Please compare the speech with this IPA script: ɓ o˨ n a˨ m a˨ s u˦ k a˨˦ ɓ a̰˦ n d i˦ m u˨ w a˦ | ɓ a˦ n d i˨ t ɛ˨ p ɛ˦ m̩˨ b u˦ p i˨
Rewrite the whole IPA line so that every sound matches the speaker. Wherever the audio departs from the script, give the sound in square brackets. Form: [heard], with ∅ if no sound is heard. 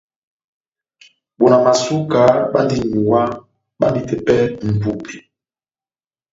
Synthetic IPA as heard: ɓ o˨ n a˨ m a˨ s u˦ k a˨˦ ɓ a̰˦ n d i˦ [ɲ] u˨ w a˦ | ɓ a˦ n d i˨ t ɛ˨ p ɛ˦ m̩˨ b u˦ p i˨